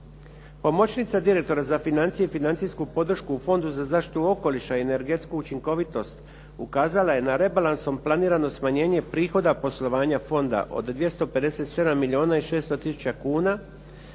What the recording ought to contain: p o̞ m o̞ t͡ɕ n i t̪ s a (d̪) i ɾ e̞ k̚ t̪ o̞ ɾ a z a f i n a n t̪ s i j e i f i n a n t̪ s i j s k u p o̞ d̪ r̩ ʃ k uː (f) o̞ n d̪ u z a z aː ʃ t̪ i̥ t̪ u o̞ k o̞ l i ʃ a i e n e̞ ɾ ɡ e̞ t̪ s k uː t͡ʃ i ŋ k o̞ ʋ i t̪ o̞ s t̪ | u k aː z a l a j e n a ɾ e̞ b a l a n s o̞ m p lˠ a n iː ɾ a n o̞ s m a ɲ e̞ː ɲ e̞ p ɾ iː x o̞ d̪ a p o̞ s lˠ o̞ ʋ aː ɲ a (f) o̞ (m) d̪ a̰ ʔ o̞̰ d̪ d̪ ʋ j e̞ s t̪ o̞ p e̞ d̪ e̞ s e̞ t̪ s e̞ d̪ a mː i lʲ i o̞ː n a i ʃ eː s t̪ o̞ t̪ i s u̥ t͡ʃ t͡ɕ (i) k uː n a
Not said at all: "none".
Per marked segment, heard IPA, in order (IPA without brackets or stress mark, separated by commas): d̪, f, f, n, a